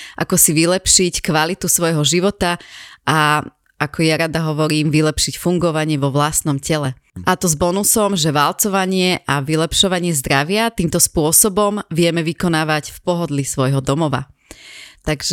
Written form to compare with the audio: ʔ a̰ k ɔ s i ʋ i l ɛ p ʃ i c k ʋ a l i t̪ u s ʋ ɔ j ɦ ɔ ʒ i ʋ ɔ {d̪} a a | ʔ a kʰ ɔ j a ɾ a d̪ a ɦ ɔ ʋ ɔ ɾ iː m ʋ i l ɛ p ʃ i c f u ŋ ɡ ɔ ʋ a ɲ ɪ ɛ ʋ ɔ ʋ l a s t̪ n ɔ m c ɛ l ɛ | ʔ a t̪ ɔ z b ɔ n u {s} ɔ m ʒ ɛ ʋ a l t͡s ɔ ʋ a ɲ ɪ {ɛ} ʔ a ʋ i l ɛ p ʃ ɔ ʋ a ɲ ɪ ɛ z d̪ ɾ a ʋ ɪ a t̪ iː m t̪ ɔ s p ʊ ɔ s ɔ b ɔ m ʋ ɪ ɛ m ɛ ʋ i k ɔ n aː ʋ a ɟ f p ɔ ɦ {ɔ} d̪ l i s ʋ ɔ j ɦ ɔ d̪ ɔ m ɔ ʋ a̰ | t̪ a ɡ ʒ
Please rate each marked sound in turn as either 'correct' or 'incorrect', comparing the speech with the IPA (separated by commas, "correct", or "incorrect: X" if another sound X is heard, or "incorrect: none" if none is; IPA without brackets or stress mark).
incorrect: t̪, correct, correct, correct